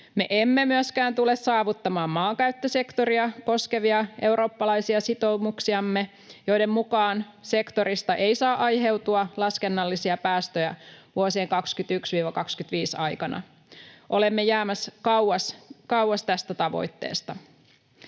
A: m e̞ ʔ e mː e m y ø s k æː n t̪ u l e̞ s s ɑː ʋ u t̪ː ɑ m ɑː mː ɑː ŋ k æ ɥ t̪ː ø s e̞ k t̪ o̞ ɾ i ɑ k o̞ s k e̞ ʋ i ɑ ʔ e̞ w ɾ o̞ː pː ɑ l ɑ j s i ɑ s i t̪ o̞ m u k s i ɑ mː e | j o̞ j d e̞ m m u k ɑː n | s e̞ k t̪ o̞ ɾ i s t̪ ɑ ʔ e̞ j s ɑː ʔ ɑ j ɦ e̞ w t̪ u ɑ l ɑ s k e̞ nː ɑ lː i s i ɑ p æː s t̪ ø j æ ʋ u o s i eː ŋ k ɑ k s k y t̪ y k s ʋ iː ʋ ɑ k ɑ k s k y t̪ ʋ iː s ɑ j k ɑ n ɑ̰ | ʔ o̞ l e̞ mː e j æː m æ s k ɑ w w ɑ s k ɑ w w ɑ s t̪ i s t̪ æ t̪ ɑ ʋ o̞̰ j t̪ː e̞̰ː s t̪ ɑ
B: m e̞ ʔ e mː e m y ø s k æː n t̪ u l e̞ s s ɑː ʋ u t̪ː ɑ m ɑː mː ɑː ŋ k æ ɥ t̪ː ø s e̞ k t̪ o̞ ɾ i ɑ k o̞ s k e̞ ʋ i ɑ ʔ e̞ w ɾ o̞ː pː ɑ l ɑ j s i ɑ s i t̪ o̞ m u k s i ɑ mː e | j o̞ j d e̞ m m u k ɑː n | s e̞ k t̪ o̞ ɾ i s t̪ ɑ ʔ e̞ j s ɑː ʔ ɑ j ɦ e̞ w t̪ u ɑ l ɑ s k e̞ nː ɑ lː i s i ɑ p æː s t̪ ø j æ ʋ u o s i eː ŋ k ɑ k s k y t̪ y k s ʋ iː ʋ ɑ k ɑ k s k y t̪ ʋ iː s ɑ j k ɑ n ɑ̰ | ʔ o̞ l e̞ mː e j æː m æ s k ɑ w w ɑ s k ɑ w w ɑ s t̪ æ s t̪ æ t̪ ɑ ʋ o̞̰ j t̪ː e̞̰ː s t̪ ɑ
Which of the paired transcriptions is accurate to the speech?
B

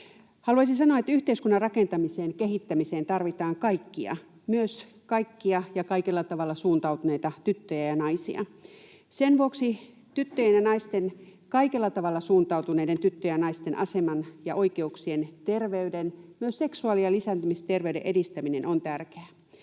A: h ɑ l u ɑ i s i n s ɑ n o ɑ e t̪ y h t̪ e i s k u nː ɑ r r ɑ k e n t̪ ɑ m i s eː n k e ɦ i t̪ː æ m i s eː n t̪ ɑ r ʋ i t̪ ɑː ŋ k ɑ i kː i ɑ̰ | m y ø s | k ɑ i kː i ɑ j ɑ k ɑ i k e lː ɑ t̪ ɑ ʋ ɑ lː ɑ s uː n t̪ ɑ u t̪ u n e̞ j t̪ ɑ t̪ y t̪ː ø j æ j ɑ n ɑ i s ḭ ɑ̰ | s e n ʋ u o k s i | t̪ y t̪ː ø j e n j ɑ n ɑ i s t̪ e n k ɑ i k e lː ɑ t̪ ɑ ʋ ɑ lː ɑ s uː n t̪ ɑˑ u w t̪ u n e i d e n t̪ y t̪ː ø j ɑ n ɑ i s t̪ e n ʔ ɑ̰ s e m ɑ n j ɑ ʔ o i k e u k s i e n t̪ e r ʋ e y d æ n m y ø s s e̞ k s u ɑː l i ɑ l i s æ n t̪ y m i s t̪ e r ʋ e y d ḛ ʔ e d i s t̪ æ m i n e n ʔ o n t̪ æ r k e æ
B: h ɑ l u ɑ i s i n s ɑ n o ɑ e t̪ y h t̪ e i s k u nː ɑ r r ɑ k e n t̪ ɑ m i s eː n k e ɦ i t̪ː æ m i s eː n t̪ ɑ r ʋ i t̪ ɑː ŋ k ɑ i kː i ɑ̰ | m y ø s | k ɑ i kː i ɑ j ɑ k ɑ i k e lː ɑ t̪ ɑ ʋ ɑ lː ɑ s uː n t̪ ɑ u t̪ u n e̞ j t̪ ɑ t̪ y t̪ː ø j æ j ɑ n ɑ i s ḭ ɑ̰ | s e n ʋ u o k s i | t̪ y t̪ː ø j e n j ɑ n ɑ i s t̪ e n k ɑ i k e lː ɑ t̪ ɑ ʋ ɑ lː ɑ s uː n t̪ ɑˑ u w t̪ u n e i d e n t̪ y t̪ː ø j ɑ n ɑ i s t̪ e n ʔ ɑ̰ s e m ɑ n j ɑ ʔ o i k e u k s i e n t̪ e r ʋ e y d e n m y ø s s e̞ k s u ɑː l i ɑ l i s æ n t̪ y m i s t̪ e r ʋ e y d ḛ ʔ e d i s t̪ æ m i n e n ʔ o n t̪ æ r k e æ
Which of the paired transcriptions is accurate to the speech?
B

